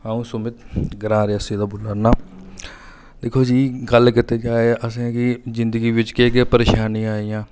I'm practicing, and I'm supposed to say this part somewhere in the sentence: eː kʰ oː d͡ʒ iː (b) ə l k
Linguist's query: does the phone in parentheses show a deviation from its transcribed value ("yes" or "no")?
yes